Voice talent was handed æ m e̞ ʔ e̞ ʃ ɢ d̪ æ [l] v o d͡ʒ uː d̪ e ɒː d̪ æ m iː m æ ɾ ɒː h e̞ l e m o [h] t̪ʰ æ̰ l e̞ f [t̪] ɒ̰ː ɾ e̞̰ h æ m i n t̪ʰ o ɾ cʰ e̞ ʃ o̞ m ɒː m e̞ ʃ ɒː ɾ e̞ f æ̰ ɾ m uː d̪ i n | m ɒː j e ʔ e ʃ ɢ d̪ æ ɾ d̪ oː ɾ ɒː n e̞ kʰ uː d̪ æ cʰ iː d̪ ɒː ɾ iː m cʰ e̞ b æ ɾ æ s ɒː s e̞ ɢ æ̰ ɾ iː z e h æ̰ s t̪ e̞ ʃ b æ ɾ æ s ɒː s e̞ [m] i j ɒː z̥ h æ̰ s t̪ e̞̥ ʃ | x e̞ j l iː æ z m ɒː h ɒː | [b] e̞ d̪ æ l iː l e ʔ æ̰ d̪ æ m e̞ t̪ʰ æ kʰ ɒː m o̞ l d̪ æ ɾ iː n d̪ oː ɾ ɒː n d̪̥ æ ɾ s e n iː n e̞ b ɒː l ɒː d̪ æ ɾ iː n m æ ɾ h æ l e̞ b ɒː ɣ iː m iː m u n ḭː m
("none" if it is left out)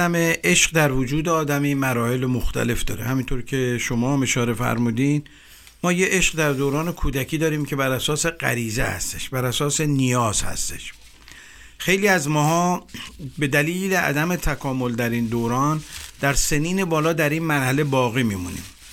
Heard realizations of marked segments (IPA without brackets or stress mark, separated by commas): ɾ, x, d̪, n, b